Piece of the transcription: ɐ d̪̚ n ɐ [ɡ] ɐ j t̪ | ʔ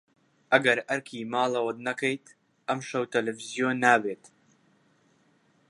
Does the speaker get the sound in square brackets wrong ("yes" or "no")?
yes